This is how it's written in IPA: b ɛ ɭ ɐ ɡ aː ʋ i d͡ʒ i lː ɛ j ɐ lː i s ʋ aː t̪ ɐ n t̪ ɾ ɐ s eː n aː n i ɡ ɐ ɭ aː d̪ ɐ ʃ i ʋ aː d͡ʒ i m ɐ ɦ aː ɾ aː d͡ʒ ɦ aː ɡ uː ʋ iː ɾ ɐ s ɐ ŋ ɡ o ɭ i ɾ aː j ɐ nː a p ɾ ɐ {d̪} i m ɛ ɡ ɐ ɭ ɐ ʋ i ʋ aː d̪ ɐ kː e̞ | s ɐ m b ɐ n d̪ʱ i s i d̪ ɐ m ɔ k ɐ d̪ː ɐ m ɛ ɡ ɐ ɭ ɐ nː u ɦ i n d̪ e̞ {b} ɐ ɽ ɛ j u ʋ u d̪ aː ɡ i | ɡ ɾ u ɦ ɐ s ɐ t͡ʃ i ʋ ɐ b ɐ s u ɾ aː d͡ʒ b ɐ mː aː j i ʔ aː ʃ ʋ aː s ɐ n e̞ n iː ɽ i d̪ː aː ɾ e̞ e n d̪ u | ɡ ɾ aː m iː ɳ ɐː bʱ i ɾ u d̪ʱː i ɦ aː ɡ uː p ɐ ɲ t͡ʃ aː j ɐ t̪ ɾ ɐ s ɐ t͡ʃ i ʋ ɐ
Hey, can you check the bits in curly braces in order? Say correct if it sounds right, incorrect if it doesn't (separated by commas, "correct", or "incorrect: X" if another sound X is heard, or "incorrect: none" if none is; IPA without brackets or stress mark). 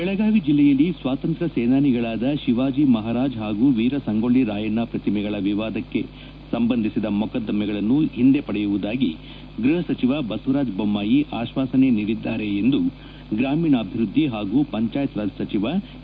incorrect: t̪, incorrect: p